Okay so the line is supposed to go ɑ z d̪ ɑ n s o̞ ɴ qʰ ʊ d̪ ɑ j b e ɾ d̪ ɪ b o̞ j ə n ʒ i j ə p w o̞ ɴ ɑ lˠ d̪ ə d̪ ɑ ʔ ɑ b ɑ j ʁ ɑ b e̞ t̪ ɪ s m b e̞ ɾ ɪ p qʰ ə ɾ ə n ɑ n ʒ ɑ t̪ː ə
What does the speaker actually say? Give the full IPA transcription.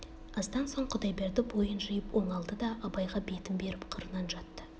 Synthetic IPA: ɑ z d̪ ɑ n s o̞ ɴ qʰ ʊ d̪ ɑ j b e ɾ d̪ ɪ b o̞ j ə n ʒ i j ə p w o̞ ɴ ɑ lˠ d̪ ə d̪ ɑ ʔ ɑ b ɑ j ʁ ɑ b e̞ t̪ ɪ m b e̞ ɾ ɪ p qʰ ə ɾ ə n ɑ n ʒ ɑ t̪ː ə